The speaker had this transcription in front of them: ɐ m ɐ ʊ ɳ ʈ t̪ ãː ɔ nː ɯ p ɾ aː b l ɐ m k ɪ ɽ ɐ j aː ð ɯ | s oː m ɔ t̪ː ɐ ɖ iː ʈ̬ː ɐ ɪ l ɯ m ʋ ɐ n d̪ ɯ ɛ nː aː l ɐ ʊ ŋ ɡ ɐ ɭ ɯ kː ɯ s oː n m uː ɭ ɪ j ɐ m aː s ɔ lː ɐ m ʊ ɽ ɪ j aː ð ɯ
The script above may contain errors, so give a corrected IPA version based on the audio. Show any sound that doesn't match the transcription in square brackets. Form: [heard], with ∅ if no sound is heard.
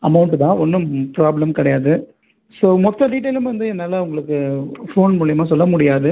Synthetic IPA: ɐ m ɐ ʊ ɳ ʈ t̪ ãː ɔ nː ɯ p ɾ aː b l ɐ m k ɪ ɽ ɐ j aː ð ɯ | s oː m ɔ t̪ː ɐ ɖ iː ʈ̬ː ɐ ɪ l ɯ m ʋ ɐ n d̪ ɯ ɛ nː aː l ɐ ʊ ŋ ɡ ɐ ɭ ɯ kː ɯ [f] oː n m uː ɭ ɪ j ɐ m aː s ɔ lː ɐ m ʊ ɽ ɪ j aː ð ɯ

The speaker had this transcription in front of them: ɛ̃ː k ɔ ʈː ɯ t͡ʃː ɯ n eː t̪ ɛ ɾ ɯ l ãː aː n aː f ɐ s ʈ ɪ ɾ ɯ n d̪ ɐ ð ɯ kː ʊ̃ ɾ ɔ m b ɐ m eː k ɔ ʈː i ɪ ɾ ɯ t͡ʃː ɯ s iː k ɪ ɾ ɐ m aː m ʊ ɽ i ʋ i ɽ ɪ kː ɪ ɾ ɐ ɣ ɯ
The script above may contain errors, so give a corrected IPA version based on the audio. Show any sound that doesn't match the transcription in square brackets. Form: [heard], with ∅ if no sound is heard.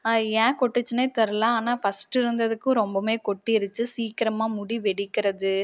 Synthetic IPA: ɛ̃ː k ɔ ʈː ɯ t͡ʃː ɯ n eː t̪ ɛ ɾ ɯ l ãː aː n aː f ɐ s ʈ ɪ ɾ ɯ n d̪ ɐ ð ɯ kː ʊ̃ ɾ ɔ m b ɐ m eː k ɔ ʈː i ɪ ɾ ɯ t͡ʃː ɯ s iː k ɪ ɾ ɐ m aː m ʊ ɽ i ʋ [ɛ] ɽ ɪ kː ɪ ɾ ɐ [ð] ɯ

